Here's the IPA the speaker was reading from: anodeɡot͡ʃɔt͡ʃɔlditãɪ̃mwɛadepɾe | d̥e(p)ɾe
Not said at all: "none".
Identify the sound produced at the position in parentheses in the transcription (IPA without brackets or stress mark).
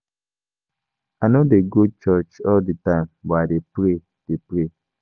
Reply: p